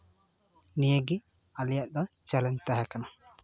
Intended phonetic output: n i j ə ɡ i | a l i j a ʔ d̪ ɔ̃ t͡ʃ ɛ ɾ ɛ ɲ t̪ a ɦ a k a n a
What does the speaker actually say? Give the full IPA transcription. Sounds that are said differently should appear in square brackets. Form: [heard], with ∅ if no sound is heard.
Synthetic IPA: n i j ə ɡ i | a l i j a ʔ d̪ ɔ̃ t͡ʃ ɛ [l] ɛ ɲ t̪ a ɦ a k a n a